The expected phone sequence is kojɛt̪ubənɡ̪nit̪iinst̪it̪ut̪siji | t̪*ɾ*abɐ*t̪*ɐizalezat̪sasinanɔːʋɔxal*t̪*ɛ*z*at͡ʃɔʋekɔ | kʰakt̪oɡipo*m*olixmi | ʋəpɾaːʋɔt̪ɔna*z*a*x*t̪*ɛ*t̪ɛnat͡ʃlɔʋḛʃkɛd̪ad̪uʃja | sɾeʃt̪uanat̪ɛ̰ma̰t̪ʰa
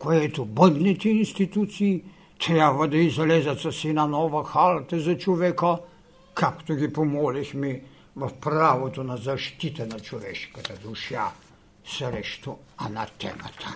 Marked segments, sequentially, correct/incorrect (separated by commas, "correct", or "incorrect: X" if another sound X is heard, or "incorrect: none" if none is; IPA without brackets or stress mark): correct, incorrect: d̪, correct, correct, correct, correct, incorrect: ʃ, incorrect: i